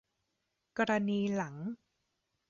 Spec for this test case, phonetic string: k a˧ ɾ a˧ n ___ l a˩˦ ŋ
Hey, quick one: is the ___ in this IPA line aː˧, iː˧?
iː˧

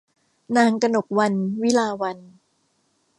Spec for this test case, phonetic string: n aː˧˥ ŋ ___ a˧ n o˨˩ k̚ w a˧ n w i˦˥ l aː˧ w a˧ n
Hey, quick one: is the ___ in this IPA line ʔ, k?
k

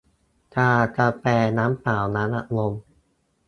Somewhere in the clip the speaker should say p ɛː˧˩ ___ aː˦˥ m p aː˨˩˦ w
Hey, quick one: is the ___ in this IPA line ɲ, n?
n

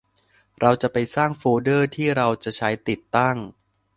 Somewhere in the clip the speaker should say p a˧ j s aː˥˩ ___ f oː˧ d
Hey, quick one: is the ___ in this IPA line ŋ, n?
ŋ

